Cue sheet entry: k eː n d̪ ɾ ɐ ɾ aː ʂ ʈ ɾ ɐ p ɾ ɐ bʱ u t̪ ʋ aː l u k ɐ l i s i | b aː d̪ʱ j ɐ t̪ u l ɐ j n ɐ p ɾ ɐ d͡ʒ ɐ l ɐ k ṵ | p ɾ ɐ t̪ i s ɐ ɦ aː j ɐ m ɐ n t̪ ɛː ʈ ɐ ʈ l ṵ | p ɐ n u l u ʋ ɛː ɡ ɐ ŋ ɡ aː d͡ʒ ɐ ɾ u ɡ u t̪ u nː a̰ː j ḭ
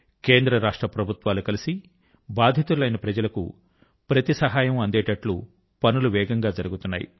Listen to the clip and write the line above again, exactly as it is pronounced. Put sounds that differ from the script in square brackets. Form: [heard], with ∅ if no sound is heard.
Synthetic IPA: k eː n d̪ ɾ ɐ ɾ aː ʂ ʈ ɾ ɐ p ɾ ɐ bʱ u t̪ ʋ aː l u k ɐ l i s i | b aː d̪ʱ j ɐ t̪ u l ɐ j n ɐ p ɾ ɐ d͡ʒ ɐ l ɐ k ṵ | p ɾ ɐ t̪ i s ɐ ɦ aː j ɐ m ɐ n [d̪] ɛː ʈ ɐ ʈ l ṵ | p ɐ n u l u ʋ ɛː ɡ ɐ ŋ ɡ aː d͡ʒ ɐ ɾ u ɡ u t̪ u nː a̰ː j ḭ

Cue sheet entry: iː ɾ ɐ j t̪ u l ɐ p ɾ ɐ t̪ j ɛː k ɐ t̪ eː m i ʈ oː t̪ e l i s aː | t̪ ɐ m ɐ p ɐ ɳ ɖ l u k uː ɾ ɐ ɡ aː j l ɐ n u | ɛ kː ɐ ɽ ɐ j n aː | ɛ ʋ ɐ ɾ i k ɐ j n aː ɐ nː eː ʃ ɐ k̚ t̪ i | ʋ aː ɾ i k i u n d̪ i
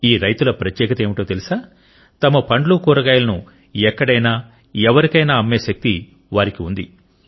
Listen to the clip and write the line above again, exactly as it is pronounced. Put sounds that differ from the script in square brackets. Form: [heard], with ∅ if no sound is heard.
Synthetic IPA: iː ɾ ɐ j t̪ u l ɐ p ɾ ɐ t̪ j ɛː k ɐ t̪ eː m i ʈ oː t̪ e l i s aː | t̪ ɐ m ɐ p ɐ ɳ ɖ l u k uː ɾ ɐ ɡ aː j l ɐ n u | ɛ kː ɐ ɽ ɐ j n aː | ɛ ʋ ɐ ɾ i k ɐ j n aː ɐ [mː] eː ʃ ɐ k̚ t̪ i | ʋ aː ɾ i k i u n d̪ i

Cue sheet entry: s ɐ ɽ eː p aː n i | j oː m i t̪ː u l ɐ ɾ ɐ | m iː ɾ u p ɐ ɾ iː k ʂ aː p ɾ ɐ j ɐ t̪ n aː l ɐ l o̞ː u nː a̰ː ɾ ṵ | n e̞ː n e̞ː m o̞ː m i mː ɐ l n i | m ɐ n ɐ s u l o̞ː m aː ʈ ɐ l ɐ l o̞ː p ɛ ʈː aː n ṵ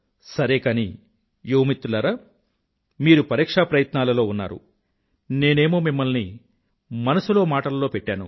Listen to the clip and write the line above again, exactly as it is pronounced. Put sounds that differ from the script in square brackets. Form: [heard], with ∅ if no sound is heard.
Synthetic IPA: s ɐ [ɾ] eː [k] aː n i | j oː m i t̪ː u l ɐ ɾ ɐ | m iː ɾ u p ɐ ɾ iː k ʂ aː p ɾ ɐ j ɐ t̪ n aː l ɐ l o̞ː u nː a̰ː ɾ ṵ | n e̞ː n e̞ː m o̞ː m i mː ɐ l n i | m ɐ n ɐ s u l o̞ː m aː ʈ ɐ l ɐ l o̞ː p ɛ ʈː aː n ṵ

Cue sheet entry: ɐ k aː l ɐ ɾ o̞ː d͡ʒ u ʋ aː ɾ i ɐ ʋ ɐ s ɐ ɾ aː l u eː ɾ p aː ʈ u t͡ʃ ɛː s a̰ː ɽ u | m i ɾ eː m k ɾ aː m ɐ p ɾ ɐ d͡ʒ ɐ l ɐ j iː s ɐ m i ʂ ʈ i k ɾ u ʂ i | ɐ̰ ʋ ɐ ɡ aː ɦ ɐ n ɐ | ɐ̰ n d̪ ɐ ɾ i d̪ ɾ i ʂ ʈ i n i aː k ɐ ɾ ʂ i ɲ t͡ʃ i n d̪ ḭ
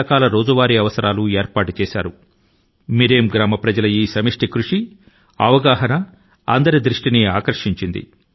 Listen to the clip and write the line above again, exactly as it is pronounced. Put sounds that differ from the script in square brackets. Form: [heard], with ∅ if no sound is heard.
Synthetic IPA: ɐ k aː l ɐ ɾ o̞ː d͡ʒ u ʋ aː ɾ i ɐ ʋ ɐ s ɐ ɾ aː l u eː ɾ p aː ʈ u t͡ʃ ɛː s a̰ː [ɾ] u | m i ɾ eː m [ɡ] ɾ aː m ɐ p ɾ ɐ d͡ʒ ɐ l ɐ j iː s ɐ m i ʂ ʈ i k ɾ u ʂ i | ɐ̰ ʋ ɐ ɡ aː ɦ ɐ n ɐ | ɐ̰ n d̪ ɐ ɾ i d̪ ɾ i ʂ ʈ i n i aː k ɐ ɾ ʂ i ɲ t͡ʃ i n d̪ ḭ

